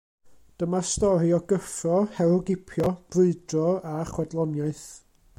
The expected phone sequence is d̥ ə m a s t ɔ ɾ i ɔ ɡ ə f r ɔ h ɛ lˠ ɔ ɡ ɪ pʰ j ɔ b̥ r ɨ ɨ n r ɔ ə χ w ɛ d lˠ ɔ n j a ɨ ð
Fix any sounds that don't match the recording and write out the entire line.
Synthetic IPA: d̥ ə m a s t ɔ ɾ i ɔ ɡ ə f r ɔ h ɛ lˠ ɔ ɡ ɪ pʰ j ɔ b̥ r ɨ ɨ d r ɔ a χ w ɛ d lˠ ɔ n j a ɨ θ